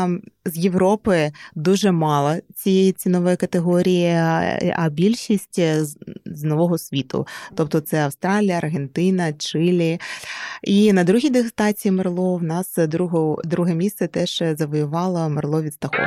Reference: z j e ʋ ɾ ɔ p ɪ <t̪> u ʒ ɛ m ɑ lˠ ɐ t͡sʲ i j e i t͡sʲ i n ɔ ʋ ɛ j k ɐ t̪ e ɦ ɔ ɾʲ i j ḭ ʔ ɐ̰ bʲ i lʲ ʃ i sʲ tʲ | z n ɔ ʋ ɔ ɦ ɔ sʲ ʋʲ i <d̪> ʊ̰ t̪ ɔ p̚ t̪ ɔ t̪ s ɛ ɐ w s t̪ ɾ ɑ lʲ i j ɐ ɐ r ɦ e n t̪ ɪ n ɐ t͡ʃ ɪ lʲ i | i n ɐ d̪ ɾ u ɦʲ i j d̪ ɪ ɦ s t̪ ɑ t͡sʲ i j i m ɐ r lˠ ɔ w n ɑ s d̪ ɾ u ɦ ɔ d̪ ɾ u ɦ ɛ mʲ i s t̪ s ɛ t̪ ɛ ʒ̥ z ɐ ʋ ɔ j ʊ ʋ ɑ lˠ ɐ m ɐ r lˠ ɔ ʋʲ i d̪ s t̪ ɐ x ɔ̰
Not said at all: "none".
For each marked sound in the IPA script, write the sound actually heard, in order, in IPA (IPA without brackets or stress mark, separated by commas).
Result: d̪, t̪